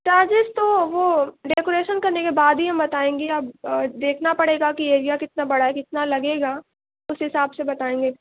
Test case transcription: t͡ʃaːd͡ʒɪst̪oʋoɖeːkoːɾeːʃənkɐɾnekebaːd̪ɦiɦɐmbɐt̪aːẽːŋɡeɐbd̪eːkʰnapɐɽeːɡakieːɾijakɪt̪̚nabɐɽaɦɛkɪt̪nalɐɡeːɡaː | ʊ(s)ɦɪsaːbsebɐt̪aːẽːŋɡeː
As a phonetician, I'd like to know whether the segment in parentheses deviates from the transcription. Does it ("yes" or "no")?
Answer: no